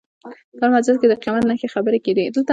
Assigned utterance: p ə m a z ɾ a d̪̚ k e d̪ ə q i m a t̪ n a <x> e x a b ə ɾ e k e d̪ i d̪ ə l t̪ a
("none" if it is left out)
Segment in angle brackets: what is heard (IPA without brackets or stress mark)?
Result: x